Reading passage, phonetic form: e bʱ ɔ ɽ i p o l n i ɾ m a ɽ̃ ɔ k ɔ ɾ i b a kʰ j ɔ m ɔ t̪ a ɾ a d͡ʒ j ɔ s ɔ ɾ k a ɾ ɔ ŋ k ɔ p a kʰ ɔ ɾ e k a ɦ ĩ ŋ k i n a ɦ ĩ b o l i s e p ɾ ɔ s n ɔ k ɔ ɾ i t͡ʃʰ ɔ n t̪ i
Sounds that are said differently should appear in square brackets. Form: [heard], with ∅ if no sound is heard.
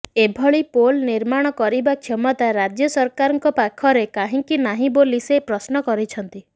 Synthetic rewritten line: e bʱ ɔ [ɭ] i p o l n i ɾ m a ɽ̃ ɔ k ɔ ɾ i b a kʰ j ɔ m ɔ t̪ a ɾ a d͡ʒ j ɔ s ɔ ɾ k a ɾ ɔ ŋ k ɔ p a kʰ ɔ ɾ e k a ɦ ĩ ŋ k i n a ɦ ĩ b o l i s e p ɾ ɔ s n ɔ k ɔ ɾ i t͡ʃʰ ɔ n t̪ i